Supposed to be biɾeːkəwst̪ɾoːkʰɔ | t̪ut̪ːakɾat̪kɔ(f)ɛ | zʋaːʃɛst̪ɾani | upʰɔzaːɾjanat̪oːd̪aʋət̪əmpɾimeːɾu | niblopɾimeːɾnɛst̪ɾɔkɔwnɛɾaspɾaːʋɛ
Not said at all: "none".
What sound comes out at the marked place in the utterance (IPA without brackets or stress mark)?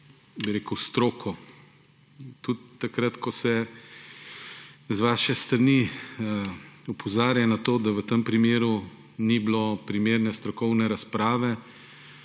s